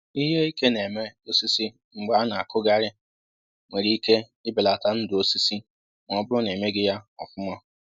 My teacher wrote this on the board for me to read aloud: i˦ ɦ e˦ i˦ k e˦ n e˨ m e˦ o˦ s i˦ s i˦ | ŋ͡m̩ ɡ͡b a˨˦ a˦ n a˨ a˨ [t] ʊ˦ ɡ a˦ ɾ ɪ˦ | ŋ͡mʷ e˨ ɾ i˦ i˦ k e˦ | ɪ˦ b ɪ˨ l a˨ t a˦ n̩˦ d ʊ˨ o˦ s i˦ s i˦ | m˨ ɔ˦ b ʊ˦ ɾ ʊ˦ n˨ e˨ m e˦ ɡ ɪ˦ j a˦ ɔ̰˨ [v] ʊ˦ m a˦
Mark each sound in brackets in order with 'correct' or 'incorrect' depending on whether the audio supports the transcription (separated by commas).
incorrect, incorrect